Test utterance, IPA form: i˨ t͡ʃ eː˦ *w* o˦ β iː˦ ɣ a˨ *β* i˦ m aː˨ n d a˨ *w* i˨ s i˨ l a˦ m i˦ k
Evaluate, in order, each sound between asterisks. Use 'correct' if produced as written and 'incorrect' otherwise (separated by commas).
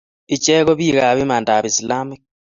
incorrect, correct, incorrect